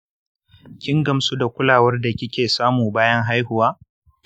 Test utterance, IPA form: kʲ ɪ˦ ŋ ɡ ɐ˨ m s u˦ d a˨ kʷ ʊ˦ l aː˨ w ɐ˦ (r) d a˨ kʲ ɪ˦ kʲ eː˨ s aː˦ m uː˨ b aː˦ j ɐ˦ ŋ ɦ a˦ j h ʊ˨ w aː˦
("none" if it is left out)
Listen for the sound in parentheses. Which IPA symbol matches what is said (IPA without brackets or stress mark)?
r